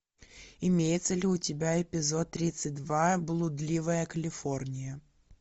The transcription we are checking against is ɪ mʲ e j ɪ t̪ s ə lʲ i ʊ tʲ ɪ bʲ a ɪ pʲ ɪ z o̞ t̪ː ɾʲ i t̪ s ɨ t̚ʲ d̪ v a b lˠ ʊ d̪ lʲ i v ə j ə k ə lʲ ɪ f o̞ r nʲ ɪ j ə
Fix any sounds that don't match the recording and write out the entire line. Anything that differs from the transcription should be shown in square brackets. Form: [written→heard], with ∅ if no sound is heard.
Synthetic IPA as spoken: ɪ mʲ e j ɪ t̪ s ə lʲ [i→ɪ] ʊ tʲ ɪ bʲ a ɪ pʲ ɪ z o̞ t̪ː ɾʲ i t̪ s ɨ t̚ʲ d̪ v a b lˠ ʊ d̪ lʲ i v ə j ə k ə lʲ ɪ f o̞ r nʲ ɪ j ə